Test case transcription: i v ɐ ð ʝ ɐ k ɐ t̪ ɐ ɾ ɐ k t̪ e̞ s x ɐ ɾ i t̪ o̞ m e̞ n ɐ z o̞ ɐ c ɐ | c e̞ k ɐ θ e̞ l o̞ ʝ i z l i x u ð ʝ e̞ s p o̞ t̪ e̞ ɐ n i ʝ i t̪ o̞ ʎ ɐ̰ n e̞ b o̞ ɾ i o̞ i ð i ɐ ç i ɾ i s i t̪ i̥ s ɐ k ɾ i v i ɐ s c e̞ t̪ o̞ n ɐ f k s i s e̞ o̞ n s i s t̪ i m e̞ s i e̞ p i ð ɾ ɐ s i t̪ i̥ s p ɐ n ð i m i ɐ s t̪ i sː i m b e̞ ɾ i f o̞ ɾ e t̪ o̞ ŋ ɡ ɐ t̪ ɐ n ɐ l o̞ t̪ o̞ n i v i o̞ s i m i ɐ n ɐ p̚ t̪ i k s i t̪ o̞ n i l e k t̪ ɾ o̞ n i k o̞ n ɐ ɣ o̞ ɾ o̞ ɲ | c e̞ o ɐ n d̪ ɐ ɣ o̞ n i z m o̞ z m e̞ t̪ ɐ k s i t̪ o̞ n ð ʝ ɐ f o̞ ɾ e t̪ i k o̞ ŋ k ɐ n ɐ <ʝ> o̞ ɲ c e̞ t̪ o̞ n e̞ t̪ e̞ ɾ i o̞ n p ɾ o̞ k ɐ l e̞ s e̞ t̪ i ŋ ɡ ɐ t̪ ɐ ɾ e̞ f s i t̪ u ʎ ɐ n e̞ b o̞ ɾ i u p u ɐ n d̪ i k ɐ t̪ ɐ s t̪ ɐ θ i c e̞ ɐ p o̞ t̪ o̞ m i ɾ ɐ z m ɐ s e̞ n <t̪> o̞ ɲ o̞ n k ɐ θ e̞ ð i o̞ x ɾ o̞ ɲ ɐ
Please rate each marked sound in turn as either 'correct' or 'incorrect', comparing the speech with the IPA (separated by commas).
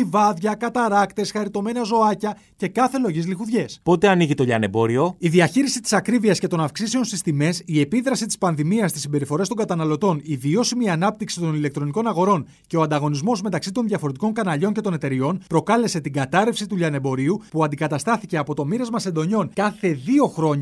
incorrect, incorrect